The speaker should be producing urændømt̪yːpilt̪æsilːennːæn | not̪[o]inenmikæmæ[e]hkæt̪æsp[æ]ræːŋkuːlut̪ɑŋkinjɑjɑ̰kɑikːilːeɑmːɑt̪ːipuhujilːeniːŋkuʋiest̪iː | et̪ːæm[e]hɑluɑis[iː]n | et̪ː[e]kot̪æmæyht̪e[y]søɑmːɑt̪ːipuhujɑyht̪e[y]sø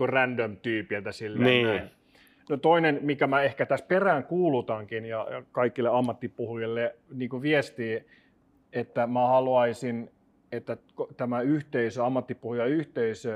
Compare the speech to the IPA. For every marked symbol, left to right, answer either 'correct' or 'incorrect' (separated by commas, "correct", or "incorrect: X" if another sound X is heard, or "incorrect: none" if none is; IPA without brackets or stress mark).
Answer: correct, correct, incorrect: e, incorrect: æ, incorrect: i, incorrect: æ, incorrect: i, incorrect: i